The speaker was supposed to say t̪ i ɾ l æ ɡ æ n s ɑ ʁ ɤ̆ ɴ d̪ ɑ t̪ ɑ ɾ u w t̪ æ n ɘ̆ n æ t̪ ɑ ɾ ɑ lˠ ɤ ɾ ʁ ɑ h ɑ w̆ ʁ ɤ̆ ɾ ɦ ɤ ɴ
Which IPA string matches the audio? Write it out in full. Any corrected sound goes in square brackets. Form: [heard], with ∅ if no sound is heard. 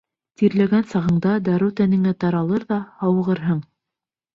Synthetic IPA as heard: t̪ i ɾ l æ ɡ æ n s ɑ ʁ ɤ̆ ɴ d̪ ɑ [d̪] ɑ ɾ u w t̪ æ n ɘ̆ [ŋ] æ t̪ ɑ ɾ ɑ lˠ ɤ ɾ [ð] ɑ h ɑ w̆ ʁ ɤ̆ ɾ ɦ ɤ ɴ

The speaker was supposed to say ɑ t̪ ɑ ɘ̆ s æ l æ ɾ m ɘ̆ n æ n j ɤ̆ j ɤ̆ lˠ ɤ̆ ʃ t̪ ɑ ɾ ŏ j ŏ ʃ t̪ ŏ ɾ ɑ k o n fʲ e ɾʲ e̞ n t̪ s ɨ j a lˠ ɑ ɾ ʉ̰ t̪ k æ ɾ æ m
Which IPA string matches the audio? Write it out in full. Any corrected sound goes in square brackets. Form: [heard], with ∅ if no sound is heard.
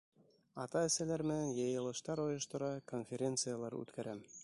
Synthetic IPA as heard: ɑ t̪ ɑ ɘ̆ s æ l æ ɾ m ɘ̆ n æ n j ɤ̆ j ɤ̆ lˠ ɤ̆ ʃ t̪ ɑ ɾ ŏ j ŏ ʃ t̪ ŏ ɾ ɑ k o n fʲ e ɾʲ e̞ n t̪ s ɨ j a lˠ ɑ ɾ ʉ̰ t̪ k æ ɾ æ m

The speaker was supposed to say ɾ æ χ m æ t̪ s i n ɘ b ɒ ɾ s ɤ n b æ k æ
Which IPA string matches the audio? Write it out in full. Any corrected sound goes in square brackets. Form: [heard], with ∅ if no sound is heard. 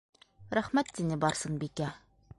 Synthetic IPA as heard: ɾ æ χ m æ t̪ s i n ɘ b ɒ ɾ s ɤ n b [i] k æ

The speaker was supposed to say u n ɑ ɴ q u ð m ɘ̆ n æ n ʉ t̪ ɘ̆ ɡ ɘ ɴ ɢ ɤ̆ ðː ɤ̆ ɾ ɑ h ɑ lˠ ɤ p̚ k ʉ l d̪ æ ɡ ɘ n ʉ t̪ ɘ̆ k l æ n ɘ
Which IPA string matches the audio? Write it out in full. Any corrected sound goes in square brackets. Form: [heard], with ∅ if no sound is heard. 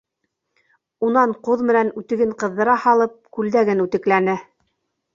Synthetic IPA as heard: u n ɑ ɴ q u ð m ɘ̆ n æ n ʉ t̪ ɘ̆ ɡ ɘ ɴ [q] ɤ̆ ðː ɤ̆ ɾ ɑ h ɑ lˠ ɤ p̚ k ʉ l d̪ æ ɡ ɘ n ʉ t̪ ɘ̆ k l æ n ɘ

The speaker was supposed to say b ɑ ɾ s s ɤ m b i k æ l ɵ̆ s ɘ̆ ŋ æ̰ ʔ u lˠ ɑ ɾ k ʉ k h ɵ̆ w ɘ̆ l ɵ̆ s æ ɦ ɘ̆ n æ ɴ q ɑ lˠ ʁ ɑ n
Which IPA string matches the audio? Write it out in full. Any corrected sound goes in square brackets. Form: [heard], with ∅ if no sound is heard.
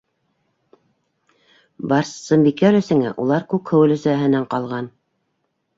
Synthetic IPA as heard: b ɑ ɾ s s ɤ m b i k æ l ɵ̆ s ɘ̆ ŋ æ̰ ʔ u lˠ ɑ ɾ k ʉ k h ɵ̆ w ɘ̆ l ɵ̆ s æ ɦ ɘ̆ n æ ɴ q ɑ lˠ ʁ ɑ n

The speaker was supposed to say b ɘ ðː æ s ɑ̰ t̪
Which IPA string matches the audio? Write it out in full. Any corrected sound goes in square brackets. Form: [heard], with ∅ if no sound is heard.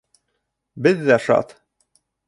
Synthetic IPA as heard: b ɘ ðː æ [ʃ] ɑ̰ t̪

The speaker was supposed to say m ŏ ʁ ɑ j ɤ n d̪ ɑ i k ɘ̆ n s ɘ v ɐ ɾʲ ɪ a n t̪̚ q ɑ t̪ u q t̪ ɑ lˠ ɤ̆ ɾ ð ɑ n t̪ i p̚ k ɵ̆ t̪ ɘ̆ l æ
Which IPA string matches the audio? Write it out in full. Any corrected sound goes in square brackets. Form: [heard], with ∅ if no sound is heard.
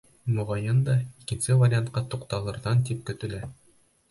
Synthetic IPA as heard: m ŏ ʁ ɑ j ɤ n d̪ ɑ i k ɘ̆ n s ɘ v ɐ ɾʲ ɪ a n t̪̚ q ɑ t̪ u q t̪ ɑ lˠ ɤ̆ ɾ ð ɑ n t̪ i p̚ k ɵ̆ t̪ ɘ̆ l æ

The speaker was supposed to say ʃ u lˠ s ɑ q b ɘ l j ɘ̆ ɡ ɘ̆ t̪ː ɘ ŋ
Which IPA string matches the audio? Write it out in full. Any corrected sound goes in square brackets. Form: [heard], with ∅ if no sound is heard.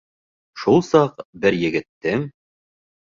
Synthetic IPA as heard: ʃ u lˠ s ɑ q b ɘ [ɾ] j ɘ̆ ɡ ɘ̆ t̪ː ɘ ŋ

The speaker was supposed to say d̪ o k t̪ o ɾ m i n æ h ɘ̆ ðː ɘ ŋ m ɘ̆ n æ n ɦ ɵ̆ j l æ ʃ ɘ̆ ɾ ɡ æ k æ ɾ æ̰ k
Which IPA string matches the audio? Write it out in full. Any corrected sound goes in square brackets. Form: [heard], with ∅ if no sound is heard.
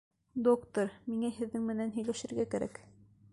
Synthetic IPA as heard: d̪ o k t̪ o ɾ m i [ŋ] æ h ɘ̆ ðː ɘ ŋ m ɘ̆ n æ n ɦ ɵ̆ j l æ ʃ ɘ̆ ɾ ɡ æ k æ ɾ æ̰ k

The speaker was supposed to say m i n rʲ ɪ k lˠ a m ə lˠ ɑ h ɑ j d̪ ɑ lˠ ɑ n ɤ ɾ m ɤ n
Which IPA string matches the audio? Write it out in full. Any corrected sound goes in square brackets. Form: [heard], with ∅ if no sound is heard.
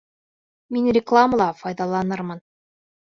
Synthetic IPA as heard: m i n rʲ ɪ k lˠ a m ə lˠ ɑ [f] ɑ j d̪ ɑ lˠ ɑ n ɤ ɾ m ɤ n

